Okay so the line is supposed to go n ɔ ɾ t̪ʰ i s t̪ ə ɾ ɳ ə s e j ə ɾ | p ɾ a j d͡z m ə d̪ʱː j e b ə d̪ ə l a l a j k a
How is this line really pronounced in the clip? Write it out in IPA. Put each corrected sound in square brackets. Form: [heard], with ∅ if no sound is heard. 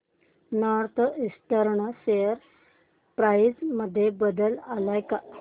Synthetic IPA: n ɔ ɾ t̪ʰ i s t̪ ə ɾ ɳ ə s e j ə ɾ | p ɾ a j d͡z m ə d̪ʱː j e b ə d̪ ə l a l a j k a